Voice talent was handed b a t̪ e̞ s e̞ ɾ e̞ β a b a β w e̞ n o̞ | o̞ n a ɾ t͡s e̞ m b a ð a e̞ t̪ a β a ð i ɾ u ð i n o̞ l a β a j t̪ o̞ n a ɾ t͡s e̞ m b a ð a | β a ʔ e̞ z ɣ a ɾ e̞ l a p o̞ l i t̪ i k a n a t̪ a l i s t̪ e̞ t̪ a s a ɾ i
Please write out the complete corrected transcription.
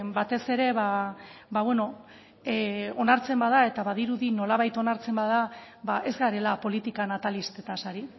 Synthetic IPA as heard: b a t̪ e̞ s e̞ ɾ e̞ β a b a β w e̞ n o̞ | o̞ n a ɾ t͡s e̞ m b a ð a e̞ t̪ a β a ð i ɾ u ð i n o̞ l a β a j t̪ o̞ n a ɾ t͡s e̞ m b a ð a | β a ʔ e̞ z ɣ a ɾ e̞ l a p o̞ l i t̪ i k a n a t̪ a l i s t̪ e̞ t̪ a s a ɾ i